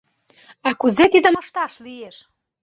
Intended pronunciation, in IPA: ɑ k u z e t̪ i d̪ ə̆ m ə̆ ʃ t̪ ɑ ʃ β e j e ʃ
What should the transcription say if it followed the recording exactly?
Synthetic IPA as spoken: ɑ k u z e t̪ i d̪ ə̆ m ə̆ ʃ t̪ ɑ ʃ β i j e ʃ